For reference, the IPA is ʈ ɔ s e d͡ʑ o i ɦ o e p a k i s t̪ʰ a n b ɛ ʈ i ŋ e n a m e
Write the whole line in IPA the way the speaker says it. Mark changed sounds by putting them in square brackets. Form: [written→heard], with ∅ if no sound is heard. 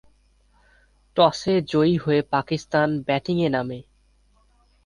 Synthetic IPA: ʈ ɔ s e d͡ʑ o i ɦ o e p a k i s [t̪ʰ→t̪] a n b ɛ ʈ i ŋ e n a m e